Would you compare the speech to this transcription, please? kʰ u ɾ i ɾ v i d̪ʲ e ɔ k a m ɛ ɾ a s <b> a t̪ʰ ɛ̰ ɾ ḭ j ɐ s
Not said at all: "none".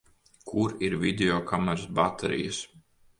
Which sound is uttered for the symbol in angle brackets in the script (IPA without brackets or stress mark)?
b